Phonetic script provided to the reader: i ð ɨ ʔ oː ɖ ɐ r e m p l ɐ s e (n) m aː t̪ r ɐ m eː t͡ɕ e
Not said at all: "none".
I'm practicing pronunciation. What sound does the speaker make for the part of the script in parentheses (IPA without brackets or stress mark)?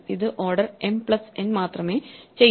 n